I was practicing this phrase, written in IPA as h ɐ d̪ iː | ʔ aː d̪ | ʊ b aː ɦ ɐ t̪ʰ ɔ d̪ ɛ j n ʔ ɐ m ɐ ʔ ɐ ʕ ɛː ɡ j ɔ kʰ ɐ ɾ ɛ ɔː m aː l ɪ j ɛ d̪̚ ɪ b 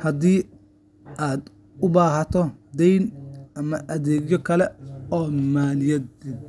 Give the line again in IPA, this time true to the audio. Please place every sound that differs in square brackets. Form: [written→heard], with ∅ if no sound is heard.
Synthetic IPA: h ɐ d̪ iː | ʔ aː d̪ | ʊ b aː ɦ ɐ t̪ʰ ɔ d̪ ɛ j n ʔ ɐ m ɐ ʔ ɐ [ʕ→ð] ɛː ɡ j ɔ kʰ ɐ [ɾ→l] ɛ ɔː m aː l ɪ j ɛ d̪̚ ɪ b